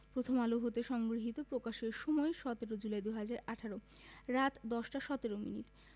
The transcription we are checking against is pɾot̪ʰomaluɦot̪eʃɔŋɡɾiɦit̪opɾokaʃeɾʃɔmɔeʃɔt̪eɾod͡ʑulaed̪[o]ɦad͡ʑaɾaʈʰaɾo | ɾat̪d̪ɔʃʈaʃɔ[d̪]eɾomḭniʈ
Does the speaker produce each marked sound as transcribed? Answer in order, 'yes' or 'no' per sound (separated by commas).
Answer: no, no